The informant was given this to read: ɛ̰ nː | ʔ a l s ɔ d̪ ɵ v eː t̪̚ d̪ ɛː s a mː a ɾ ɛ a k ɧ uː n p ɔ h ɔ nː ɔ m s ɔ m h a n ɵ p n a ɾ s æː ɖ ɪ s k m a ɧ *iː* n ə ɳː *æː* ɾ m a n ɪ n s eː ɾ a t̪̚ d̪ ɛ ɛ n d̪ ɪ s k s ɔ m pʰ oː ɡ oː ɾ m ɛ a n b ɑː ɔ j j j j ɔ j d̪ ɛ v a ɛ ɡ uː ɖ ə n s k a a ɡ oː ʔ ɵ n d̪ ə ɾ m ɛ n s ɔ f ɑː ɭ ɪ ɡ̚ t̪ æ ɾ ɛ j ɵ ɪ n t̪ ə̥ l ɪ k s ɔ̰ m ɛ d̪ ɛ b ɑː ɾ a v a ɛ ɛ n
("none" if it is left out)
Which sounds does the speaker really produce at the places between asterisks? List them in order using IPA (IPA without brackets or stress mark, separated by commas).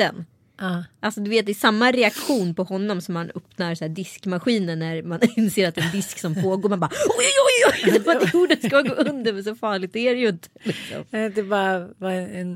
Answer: iː, æ